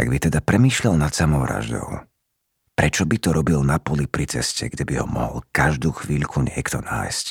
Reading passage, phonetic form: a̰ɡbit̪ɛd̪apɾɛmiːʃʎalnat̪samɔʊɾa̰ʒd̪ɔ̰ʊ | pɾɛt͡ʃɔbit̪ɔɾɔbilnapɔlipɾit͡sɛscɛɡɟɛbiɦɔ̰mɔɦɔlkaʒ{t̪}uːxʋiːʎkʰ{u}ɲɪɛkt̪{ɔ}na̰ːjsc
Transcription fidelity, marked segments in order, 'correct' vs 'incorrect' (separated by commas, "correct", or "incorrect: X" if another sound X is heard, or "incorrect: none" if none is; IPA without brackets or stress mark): incorrect: d̪, correct, correct